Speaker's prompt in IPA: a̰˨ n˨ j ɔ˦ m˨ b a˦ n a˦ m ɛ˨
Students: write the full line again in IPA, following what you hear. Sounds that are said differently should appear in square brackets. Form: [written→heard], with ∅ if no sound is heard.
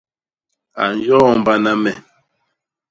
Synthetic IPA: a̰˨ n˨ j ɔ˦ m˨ b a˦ n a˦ m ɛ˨

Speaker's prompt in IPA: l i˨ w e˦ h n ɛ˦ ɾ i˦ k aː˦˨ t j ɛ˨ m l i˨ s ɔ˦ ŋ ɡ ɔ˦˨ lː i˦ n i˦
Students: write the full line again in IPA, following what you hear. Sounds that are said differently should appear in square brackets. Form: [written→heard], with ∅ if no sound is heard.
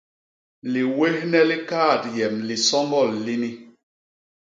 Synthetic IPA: l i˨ w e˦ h n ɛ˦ [ɾ→l] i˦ k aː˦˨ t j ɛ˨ m l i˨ s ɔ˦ ŋ ɡ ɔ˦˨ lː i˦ n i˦

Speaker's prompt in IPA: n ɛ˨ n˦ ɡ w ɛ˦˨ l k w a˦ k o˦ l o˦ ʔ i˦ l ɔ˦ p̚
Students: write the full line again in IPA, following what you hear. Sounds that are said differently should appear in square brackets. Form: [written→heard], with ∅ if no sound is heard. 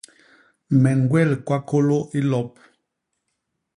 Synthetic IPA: [n→m] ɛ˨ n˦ ɡ w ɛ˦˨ l k w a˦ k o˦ l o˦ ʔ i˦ l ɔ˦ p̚

